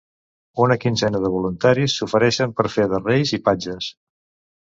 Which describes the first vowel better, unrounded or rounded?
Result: rounded